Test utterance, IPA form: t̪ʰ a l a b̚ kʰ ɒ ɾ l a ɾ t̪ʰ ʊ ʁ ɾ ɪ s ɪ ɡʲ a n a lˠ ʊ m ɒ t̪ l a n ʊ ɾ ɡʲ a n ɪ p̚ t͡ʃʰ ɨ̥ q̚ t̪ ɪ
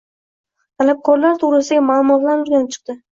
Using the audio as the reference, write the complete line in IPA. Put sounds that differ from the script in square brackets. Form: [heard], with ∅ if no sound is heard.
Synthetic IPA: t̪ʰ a l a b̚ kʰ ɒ ɾ l a ɾ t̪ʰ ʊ ʁ ɾ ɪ s ɪ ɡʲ a [m] a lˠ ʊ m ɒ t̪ l a n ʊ ɾ ɡʲ a n ɪ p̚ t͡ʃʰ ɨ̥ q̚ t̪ ɪ